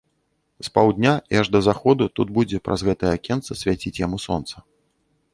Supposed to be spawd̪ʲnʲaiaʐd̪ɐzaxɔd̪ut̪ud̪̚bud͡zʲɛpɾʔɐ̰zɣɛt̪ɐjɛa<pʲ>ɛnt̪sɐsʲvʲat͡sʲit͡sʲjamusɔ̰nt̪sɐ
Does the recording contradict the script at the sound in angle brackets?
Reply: yes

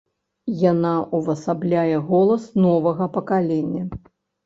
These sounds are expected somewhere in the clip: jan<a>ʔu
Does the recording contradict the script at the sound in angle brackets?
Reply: no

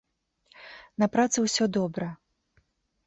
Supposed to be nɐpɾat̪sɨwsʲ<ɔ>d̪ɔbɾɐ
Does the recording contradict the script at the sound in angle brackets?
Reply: no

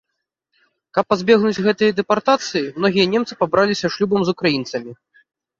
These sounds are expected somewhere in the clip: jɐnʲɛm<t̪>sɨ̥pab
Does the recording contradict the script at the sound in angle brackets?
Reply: no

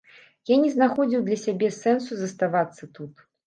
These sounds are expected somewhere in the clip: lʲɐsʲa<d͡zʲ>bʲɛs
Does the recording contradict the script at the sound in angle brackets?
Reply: yes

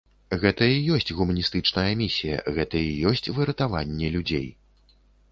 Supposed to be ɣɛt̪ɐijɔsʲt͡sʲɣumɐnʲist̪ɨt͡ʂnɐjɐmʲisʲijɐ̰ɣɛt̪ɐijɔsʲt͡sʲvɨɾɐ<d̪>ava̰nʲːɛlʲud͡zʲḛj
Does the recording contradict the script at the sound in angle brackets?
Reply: yes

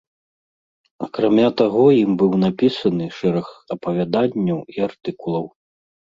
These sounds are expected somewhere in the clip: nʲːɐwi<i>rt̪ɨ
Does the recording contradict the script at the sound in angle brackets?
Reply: yes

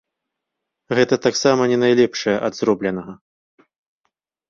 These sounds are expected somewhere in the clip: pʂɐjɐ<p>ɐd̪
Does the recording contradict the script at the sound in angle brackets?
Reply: yes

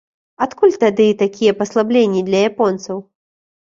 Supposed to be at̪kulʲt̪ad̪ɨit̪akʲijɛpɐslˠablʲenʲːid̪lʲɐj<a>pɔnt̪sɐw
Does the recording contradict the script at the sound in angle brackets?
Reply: no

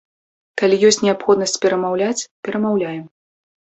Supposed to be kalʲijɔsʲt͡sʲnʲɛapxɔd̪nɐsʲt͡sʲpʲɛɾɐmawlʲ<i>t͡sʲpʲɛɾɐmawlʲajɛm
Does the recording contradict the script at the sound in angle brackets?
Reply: yes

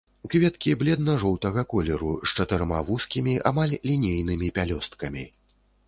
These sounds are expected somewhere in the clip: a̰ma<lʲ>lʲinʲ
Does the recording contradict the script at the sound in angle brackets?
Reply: no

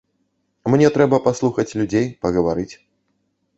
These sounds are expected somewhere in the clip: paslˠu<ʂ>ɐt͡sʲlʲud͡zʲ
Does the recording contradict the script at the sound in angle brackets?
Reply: yes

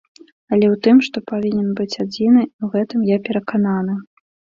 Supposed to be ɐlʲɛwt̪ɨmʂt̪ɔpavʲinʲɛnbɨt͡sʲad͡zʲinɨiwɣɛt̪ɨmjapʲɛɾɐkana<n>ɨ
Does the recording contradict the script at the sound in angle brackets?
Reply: no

